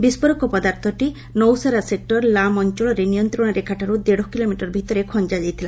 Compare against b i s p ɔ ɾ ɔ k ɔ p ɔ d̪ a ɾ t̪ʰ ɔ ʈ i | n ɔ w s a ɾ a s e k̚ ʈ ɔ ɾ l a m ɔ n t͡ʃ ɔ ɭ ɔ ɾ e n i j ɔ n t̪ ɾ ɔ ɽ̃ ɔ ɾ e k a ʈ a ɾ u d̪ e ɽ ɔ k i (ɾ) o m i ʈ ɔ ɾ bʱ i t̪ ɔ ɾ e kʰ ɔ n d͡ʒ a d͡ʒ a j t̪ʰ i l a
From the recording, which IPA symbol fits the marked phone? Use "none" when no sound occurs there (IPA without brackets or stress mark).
l